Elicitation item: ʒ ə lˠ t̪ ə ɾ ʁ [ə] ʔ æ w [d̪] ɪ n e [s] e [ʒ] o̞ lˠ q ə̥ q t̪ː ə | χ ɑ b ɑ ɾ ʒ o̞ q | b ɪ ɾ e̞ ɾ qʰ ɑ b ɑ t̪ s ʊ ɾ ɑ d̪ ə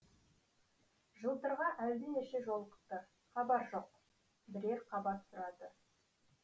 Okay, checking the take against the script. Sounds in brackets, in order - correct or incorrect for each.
incorrect: ɑ, correct, incorrect: ʃ, correct

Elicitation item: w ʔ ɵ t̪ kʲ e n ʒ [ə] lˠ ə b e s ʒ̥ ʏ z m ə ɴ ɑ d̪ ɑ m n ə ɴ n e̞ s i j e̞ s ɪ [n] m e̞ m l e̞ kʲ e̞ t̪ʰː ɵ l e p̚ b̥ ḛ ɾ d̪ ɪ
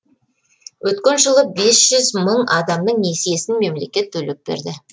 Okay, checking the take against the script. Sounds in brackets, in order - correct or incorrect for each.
correct, correct

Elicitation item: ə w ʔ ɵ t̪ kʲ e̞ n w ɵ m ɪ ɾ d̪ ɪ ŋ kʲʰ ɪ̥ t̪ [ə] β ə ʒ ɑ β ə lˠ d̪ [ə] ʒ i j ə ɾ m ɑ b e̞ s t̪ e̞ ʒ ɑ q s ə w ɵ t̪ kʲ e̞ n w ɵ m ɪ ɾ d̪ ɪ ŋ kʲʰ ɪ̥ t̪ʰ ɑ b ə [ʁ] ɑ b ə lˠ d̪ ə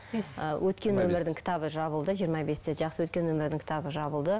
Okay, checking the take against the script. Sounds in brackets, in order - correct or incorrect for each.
incorrect: ɑ, correct, incorrect: ʒ

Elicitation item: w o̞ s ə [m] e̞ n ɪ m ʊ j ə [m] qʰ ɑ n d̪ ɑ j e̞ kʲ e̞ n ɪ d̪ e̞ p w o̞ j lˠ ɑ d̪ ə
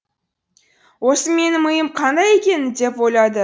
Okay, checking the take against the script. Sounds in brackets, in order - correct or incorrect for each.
correct, correct

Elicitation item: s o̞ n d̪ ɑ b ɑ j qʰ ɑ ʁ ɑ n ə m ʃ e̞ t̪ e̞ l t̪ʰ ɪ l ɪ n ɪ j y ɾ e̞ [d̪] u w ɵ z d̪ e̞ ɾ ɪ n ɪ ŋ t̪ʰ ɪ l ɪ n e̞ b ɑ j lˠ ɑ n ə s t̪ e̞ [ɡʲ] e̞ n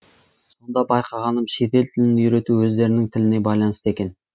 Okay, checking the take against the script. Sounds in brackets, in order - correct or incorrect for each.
incorrect: t̪, incorrect: kʲ

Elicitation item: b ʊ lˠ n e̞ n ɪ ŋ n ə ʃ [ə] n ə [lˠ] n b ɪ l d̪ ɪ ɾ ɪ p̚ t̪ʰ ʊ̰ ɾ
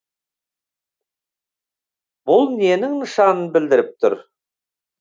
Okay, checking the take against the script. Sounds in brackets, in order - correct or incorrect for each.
incorrect: ɑ, incorrect: none

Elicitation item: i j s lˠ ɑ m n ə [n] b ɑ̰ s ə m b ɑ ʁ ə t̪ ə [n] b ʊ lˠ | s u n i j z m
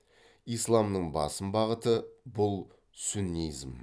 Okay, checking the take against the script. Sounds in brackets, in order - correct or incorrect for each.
incorrect: ɴ, incorrect: none

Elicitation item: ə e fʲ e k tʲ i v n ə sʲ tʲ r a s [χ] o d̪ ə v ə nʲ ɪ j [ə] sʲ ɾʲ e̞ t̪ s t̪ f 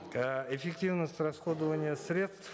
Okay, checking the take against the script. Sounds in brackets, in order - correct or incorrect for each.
correct, correct

